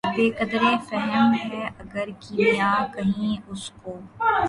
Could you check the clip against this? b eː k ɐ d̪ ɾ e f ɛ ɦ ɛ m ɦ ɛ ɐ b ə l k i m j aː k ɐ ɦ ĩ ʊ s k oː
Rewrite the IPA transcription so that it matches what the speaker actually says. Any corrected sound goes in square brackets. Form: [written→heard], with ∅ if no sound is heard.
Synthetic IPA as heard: b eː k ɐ d̪ ɾ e f ɛ ɦ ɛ m ɦ ɛ ɐ [b→ɡ] ə [l→ɾ] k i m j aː k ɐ ɦ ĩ ʊ s k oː